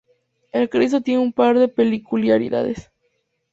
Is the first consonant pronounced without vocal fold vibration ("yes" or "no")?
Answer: no